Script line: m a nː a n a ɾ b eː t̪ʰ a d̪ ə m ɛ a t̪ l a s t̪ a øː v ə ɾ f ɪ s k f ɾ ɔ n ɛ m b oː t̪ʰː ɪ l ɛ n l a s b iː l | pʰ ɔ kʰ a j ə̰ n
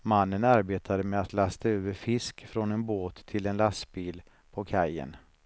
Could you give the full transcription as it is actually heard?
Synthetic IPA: m a nː ə n a ɾ b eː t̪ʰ a d̪ ə m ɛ a t̪ l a s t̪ a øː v ə ɾ f ɪ s k f ɾ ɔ n ɛ n b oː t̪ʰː ɪ l ɛ n l a s b iː l | pʰ ɔ kʰ a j ə̰ n